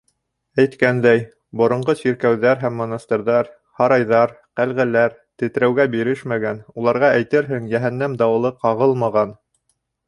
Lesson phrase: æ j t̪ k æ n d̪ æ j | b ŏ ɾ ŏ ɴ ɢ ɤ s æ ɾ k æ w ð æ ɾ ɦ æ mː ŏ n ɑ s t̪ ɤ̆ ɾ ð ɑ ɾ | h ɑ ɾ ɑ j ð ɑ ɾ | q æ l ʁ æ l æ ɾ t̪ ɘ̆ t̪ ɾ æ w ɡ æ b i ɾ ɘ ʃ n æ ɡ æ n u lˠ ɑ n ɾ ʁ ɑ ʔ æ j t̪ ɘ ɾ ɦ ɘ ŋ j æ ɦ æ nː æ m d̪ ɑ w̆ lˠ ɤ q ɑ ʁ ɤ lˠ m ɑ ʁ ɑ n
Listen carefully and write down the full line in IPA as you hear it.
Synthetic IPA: æ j t̪ k æ n d̪ æ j | b ŏ ɾ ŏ ɴ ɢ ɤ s i ɾ k æ w ð æ ɾ ɦ æ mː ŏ n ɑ s t̪ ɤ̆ ɾ ð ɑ ɾ | h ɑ ɾ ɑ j ð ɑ ɾ | q æ l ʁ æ l æ ɾ t̪ ɘ̆ t̪ ɾ æ w ɡ æ b i ɾ ɘ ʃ m æ ɡ æ n u lˠ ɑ ɾ ʁ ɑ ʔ æ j t̪ ɘ ɾ ɦ ɘ ŋ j æ ɦ æ nː æ m d̪ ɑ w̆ lˠ ɤ q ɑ ʁ ɤ lˠ m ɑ ʁ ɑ n